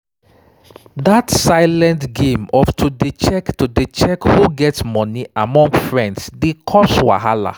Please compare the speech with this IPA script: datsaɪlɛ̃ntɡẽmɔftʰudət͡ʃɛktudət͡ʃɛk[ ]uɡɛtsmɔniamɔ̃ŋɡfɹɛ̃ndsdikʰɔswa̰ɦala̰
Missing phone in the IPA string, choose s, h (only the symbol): h